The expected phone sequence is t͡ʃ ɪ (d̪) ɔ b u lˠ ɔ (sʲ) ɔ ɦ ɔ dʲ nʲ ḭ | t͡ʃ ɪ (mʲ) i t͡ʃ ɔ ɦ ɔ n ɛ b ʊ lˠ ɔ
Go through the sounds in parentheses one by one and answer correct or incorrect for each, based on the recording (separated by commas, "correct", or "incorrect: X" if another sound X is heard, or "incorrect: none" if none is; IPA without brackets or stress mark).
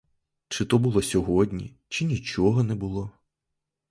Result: incorrect: t̪, correct, incorrect: nʲ